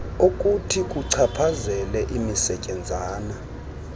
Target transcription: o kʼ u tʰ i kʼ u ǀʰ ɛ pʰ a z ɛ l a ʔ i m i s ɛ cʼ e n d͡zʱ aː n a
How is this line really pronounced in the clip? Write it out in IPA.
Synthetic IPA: o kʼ u tʰ i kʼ u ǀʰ a pʰ a z ɛ l ɛ ʔ i m i s ɛ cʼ ɛ n d͡zʱ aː n a